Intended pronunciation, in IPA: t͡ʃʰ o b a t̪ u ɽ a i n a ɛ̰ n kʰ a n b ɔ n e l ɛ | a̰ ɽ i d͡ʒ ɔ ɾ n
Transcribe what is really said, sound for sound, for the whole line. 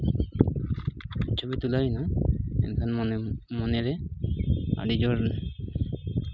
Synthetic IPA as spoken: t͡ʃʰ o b i t̪ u l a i n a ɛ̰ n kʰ a n m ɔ n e ɾ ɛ | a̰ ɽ i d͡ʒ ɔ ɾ n

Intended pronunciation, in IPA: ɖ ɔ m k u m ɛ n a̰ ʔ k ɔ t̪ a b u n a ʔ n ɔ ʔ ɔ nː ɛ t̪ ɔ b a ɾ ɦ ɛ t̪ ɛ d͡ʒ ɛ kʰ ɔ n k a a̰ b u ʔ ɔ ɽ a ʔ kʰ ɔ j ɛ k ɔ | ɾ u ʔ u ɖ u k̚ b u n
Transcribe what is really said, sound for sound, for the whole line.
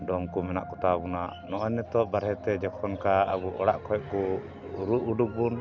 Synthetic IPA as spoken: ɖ ɔ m k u m ɛ n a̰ ʔ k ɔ t̪ a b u n a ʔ n ɔ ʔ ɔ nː ɛ t̪ ɔ b a ɾ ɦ ɛ t̪ ɛ d͡ʒ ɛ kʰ ɔ n k a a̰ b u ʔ ɔ ɽ a ʔ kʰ ɔ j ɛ k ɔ | ɾ u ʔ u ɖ u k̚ b u n

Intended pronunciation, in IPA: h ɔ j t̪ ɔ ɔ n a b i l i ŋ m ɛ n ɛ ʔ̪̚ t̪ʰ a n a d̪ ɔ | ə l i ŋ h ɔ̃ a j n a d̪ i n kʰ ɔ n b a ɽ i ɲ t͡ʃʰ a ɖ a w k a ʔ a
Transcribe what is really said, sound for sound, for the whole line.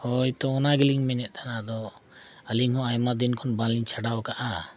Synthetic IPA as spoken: h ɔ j t̪ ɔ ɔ n a ɡ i l i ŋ m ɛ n ɛ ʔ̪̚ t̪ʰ a n a d̪ ɔ | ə l i ŋ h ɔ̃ a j m a d̪ i n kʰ ɔ n b a l i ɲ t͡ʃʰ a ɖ a w k a ʔ a

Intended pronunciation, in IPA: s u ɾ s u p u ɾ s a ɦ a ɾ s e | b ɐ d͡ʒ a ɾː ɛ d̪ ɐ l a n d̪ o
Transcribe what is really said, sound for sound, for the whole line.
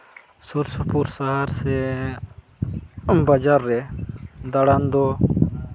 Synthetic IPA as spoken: s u ɾ s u p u ɾ s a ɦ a ɾ s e | b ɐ d͡ʒ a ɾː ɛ d̪ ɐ ɽ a n d̪ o

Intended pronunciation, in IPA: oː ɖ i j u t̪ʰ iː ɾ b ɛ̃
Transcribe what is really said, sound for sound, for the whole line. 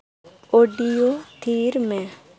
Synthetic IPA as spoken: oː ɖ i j o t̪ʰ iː ɾ m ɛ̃

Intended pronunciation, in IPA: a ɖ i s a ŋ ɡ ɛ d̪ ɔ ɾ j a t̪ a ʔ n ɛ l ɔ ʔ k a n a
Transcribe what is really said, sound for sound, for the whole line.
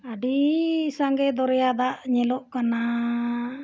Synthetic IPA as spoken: a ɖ i s a ŋ ɡ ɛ d̪ ɔ ɾ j a d̪ a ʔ ɲ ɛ l ɔ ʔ k a n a

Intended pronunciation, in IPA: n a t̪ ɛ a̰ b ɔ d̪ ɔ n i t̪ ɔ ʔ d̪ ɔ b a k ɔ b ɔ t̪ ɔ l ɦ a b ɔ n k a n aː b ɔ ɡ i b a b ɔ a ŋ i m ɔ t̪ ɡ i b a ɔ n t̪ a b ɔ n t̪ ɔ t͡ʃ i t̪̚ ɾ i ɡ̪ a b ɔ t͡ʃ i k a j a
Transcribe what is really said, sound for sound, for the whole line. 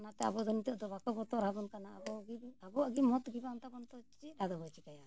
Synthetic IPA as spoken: n a t̪ ɛ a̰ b ɔ d̪ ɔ n i t̪ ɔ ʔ d̪ ɔ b a k ɔ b ɔ t̪ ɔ ɾ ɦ a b ɔ n k a n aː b ɔ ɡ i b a b ɔ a ɡ i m ɔ t̪ ɡ i b a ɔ n t̪ a b ɔ n t̪ ɔ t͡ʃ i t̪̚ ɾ a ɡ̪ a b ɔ t͡ʃ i k a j a

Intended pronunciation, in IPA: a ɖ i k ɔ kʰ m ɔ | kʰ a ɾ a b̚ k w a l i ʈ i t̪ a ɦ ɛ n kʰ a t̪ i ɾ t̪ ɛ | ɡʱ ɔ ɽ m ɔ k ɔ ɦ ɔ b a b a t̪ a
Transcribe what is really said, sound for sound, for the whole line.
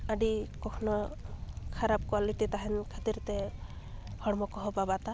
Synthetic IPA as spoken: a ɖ i k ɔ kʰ n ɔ | kʰ a ɾ a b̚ k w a l i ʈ i t̪ a ɦ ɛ n kʰ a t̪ i ɾ t̪ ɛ | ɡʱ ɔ ɽ m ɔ k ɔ ɦ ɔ b a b a t̪ a

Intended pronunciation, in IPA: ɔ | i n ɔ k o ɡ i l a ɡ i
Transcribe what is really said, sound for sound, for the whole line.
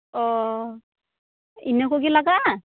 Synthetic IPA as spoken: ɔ | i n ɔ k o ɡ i l a ɡ a

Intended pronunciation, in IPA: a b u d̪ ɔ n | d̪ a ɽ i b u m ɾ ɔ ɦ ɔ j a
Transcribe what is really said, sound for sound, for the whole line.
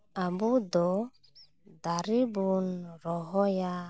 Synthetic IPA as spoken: a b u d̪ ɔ | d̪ a ɾ i b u n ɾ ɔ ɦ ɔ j a

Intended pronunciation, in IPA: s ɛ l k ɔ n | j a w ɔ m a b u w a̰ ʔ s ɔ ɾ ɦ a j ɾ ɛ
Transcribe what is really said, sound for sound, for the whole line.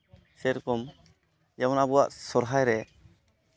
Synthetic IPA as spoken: s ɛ ɾ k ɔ m | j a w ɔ n a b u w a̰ ʔ s ɔ ɾ ɦ a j ɾ ɛ

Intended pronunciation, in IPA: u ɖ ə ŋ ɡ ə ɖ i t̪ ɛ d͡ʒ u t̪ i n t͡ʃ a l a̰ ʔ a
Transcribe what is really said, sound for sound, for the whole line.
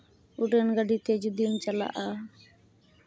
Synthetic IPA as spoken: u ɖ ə n ɡ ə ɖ i t̪ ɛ d͡ʒ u d̪ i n t͡ʃ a l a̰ ʔ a

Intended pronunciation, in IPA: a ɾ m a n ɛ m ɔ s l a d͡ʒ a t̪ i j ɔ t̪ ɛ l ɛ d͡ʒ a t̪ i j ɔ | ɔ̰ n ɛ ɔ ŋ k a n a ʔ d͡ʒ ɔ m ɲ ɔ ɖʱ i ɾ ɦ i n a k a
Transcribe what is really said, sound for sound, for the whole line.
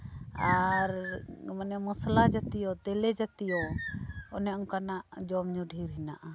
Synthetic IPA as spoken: a ɾ m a n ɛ m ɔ s l a d͡ʒ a t̪ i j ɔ t̪ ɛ l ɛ d͡ʒ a t̪ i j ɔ | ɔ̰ n ɛ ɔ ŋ k a n a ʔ d͡ʒ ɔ m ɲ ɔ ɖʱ i ɾ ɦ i n a ʔ a

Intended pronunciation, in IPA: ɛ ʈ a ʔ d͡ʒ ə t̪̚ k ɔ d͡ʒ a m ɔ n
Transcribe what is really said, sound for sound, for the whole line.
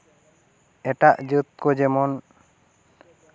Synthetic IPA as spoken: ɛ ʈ a ʔ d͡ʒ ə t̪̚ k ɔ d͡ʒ ɛ m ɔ n

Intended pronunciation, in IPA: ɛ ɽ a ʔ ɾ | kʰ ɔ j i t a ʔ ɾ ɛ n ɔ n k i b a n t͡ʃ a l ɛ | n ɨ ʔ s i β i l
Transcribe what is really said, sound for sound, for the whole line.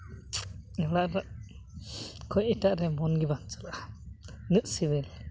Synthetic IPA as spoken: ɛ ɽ a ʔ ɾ | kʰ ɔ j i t a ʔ ɾ ɛ m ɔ n ɡ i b a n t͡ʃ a l a | n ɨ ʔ s i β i l

